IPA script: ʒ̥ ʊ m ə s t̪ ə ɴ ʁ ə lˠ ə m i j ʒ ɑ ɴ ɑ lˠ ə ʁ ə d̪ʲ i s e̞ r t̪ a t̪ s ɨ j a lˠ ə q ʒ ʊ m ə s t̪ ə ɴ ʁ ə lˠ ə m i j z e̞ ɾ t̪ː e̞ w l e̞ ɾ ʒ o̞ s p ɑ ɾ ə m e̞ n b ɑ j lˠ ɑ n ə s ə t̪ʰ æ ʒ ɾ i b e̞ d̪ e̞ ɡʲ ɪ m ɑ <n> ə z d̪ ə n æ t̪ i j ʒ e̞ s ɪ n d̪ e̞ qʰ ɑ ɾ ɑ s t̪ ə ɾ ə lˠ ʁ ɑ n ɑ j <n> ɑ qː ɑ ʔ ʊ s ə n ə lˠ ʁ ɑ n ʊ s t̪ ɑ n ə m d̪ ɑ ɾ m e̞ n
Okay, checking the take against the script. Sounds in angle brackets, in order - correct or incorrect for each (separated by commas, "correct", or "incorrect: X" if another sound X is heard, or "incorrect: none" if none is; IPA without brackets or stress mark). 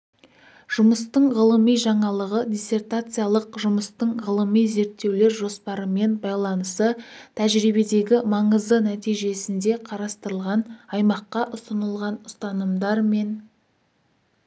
incorrect: ɴ, incorrect: m